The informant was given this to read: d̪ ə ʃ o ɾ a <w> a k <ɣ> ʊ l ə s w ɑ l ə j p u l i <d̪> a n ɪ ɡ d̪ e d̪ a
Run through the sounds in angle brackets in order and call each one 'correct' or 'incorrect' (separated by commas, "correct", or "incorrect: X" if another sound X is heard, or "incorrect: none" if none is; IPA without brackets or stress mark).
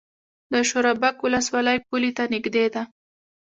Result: incorrect: b, incorrect: w, incorrect: t̪